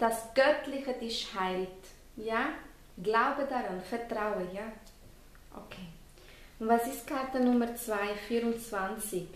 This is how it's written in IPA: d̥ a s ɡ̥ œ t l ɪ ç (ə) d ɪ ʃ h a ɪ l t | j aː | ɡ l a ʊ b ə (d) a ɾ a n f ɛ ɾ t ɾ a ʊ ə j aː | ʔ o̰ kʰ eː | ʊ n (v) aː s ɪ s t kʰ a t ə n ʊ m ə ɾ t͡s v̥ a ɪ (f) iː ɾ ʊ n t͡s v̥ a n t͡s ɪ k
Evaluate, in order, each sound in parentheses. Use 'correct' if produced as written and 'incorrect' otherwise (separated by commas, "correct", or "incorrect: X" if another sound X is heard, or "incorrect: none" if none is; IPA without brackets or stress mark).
correct, correct, correct, correct